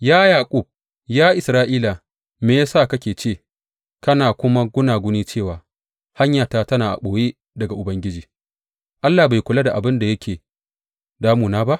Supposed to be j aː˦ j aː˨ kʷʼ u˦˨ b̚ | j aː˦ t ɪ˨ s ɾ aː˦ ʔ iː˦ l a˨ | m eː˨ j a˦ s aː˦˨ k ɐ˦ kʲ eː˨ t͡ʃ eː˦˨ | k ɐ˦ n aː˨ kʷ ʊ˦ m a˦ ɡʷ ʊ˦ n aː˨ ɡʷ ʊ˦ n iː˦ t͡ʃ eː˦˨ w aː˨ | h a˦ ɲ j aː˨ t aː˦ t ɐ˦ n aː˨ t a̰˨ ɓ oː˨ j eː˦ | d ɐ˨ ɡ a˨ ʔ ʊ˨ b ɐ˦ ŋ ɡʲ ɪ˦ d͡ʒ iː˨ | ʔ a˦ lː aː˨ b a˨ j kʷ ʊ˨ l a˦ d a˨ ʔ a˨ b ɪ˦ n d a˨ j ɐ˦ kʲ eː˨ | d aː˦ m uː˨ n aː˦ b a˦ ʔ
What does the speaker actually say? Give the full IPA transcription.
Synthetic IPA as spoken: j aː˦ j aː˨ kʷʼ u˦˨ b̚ | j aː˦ ʔ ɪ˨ s ɾ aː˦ ʔ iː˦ l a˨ | m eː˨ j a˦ s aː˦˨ k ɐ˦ kʲ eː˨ t͡ʃ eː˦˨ | k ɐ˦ n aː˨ kʷ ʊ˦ m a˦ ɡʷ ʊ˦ n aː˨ ɡʷ ʊ˦ n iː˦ t͡ʃ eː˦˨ w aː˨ | h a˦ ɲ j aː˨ t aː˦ t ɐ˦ n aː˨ ʔ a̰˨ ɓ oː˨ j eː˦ | d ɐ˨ ɡ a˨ ʔ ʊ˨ b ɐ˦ ŋ ɡʲ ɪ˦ d͡ʒ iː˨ | ʔ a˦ lː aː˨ b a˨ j kʷ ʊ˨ l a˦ d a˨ ʔ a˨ b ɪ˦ n d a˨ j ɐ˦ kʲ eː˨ | d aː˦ m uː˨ n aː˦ b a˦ ʔ